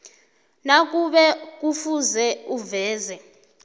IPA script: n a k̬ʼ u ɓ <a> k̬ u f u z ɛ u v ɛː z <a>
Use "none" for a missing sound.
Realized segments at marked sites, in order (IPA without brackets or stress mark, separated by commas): ɛ, ɛ